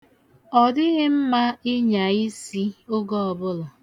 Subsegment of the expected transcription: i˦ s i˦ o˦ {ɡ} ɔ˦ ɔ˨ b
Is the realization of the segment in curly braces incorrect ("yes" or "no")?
no